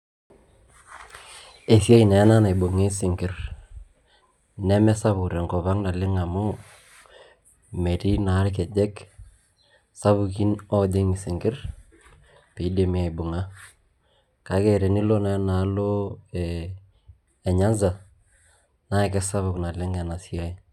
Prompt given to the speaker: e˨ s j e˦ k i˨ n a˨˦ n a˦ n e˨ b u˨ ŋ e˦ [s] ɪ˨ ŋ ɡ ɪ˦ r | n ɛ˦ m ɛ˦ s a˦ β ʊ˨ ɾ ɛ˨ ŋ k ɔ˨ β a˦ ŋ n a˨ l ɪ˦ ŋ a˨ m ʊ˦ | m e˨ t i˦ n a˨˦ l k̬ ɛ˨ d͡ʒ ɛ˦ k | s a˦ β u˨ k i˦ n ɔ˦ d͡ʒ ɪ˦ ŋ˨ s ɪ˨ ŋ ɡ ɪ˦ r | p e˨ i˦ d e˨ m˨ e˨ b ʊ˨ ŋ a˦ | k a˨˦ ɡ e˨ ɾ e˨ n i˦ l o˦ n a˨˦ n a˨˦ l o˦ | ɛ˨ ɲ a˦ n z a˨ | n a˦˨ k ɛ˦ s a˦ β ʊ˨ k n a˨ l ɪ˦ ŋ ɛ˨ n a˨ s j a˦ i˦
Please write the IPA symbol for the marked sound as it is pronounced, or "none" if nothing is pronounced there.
s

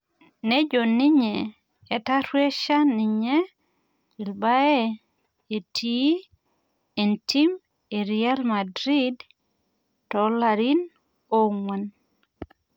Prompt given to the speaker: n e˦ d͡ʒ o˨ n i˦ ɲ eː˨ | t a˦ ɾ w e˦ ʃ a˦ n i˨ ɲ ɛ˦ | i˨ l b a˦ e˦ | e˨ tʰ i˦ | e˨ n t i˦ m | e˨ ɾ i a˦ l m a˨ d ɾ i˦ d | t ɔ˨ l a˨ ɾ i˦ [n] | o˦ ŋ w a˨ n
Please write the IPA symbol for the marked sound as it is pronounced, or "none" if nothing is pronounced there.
n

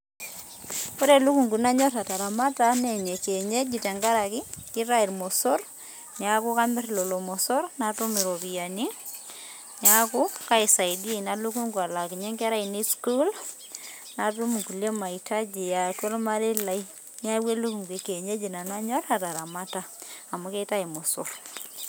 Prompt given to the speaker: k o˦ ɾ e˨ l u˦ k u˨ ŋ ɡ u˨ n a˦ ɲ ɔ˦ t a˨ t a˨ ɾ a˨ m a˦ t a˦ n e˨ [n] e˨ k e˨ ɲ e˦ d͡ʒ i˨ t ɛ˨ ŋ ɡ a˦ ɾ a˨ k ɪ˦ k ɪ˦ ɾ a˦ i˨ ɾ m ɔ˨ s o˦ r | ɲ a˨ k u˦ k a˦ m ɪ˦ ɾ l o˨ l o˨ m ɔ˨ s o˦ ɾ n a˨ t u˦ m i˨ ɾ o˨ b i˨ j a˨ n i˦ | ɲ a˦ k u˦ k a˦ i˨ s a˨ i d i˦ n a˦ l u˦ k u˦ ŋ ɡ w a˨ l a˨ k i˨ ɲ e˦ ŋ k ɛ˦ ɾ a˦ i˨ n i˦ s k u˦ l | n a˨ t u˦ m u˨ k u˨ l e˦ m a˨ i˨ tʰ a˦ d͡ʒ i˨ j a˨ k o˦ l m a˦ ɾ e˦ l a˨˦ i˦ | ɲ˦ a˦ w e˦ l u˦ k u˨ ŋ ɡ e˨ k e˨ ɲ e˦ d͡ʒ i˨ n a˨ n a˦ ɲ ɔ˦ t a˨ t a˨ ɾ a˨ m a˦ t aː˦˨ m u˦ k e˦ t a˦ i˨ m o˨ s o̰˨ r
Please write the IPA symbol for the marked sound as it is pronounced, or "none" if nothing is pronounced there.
ɲ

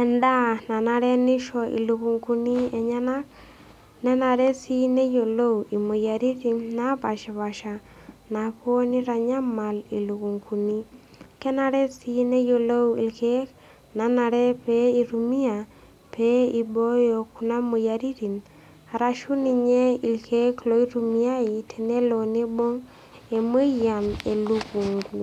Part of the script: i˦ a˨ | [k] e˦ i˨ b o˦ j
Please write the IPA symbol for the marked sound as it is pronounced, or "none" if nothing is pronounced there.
p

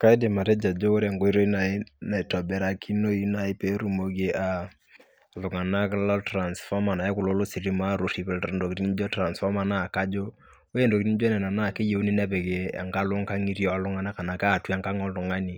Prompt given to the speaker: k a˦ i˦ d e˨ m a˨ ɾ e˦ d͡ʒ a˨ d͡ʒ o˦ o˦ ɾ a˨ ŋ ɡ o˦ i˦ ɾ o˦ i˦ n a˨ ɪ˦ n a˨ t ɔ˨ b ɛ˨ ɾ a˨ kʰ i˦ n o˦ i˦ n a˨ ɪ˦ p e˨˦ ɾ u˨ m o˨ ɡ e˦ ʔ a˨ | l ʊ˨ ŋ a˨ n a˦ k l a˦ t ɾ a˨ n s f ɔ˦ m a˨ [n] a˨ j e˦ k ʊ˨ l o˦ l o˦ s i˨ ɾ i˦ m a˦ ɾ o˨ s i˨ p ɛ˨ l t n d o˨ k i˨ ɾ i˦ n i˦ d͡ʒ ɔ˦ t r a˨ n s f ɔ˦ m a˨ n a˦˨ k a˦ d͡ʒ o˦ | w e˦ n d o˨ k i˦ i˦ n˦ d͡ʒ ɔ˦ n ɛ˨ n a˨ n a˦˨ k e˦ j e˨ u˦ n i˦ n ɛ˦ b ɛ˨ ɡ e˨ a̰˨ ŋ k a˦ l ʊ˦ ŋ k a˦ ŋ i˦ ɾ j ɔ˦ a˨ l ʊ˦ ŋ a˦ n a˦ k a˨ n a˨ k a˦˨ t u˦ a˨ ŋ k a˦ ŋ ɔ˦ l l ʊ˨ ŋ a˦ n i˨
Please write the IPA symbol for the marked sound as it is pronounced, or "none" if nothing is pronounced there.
n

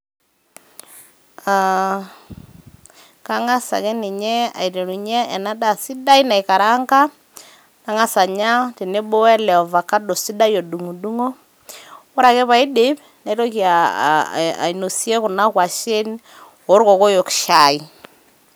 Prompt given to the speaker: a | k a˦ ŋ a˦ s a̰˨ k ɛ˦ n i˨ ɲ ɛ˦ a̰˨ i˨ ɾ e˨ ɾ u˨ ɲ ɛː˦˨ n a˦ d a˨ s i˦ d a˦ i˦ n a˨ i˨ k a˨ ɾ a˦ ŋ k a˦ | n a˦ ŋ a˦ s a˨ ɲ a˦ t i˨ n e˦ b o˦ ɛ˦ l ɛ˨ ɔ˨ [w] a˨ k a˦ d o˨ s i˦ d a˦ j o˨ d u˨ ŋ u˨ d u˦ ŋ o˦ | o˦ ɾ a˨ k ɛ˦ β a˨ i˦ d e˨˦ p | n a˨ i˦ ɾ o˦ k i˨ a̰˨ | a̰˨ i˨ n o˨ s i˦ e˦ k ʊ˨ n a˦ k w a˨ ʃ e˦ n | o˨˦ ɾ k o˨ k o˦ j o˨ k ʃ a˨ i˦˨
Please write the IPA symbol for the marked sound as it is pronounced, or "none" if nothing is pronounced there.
v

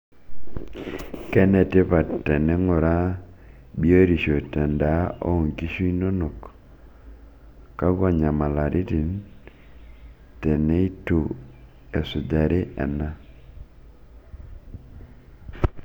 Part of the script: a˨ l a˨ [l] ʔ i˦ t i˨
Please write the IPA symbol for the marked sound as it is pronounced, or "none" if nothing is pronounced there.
ɾ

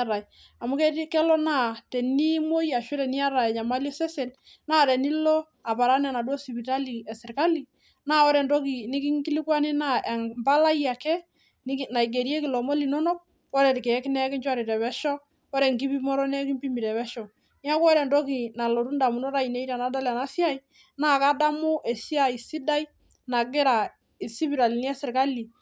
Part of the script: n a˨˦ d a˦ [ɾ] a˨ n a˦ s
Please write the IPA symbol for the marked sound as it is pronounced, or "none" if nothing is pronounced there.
l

